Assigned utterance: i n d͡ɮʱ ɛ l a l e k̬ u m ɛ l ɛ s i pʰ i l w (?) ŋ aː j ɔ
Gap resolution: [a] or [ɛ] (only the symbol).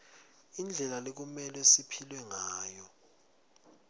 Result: ɛ